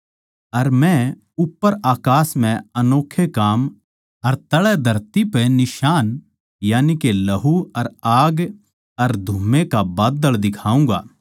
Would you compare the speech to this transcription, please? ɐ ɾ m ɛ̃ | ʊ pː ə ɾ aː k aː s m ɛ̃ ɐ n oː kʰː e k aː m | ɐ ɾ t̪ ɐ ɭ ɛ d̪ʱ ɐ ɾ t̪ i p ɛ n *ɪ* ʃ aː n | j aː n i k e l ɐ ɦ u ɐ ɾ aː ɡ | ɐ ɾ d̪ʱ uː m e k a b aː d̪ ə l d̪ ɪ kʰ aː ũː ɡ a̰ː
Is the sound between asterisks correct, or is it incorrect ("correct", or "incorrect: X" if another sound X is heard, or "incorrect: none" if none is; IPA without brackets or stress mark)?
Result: correct